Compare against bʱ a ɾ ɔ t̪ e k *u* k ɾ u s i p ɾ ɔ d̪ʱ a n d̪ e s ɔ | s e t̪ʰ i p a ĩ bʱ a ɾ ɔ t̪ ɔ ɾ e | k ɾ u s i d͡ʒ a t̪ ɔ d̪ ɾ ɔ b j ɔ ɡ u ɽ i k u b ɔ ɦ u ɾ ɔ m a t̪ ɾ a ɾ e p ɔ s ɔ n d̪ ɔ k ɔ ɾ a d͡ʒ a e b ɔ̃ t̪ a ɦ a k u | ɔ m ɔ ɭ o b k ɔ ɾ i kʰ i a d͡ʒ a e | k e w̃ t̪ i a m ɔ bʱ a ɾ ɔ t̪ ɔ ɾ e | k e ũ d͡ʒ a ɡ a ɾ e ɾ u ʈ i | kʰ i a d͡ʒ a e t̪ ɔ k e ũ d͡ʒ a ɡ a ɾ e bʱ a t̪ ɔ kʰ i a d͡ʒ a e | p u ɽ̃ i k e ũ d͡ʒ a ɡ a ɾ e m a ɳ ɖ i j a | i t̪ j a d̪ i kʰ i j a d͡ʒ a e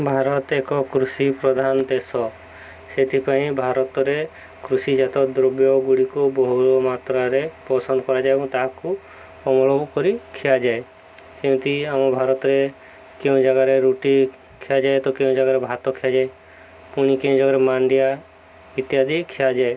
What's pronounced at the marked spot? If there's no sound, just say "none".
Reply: ɔ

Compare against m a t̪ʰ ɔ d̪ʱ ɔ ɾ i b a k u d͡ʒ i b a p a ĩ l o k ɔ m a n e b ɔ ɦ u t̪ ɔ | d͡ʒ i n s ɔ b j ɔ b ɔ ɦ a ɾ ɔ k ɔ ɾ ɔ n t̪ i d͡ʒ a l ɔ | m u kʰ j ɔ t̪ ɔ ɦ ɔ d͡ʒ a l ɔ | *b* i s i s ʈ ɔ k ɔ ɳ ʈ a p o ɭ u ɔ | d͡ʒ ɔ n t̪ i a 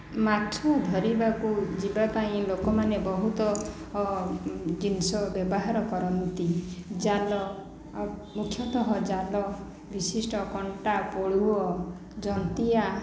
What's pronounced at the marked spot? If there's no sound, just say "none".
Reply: b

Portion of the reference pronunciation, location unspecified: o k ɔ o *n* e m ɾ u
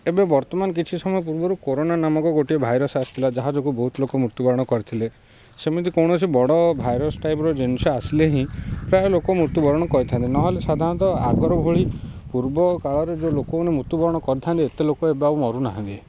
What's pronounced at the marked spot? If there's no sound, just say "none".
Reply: n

